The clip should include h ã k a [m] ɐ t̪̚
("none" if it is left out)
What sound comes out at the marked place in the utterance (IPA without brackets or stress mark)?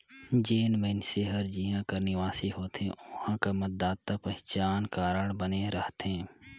m